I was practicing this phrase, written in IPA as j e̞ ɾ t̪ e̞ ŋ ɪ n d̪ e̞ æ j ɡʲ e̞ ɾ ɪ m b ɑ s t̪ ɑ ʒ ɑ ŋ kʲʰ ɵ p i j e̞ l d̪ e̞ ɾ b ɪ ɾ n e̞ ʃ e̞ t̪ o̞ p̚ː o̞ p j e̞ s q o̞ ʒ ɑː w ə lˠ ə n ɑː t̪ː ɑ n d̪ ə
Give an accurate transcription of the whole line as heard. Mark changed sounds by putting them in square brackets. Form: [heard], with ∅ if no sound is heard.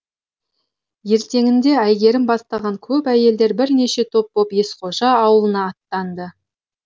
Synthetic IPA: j e̞ ɾ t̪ e̞ ŋ ɪ n d̪ e̞ æ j ɡʲ e̞ ɾ ɪ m b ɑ s t̪ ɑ [ʁ] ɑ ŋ kʲʰ ɵ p [æ] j e̞ l d̪ e̞ ɾ b ɪ ɾ n e̞ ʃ e̞ [t̪ʰ] o̞ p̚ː o̞ p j e̞ s q o̞ ʒ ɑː w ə lˠ ə n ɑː t̪ː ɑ n d̪ ə